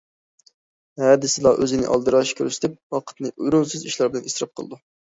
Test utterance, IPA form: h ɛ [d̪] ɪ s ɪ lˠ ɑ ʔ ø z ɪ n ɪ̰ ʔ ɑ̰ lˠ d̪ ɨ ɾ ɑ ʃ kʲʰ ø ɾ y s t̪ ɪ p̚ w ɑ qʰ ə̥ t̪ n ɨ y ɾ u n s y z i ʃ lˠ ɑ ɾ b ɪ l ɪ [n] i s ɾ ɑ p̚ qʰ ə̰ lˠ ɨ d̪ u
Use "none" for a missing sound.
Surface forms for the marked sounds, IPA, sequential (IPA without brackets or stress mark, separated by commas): d̪, n